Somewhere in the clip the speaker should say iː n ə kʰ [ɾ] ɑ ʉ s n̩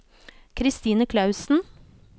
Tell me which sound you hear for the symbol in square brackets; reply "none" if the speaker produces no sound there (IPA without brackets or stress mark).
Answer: l